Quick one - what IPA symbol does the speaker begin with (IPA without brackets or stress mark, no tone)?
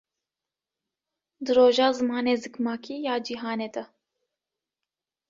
d̪